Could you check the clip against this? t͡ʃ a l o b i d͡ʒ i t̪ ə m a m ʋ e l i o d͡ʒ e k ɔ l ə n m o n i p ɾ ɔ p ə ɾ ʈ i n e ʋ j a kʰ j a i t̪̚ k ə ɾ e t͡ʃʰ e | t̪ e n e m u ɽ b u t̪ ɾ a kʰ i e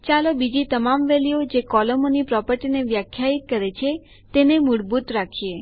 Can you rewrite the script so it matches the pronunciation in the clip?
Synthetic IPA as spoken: t͡ʃ a l o b i d͡ʒ i t̪ ə m a m ʋ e l i o d͡ʒ e k ɔ l ə m o n i p ɾ ɔ p ə ɾ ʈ i n e ʋ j a kʰ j a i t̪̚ k ə ɾ e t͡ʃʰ e | t̪ e n e m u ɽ b u t̪ ɾ a kʰ i e